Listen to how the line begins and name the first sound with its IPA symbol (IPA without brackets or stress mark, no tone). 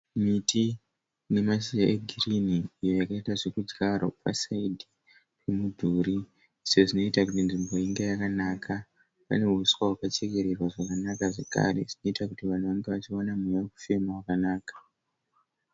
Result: m